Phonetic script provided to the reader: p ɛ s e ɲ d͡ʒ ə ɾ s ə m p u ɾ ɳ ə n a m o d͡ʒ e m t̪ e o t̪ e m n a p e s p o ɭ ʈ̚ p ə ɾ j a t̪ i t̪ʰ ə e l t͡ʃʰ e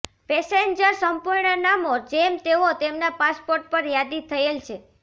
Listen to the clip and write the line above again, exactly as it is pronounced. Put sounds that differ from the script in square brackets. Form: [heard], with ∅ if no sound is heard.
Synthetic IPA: p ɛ s e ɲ d͡ʒ ə ɾ s ə m p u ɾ ɳ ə n a m o d͡ʒ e m t̪ e o t̪ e m n a p [a] s p o [ɾ] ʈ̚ p ə ɾ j a [d̪] i t̪ʰ ə e l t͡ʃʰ e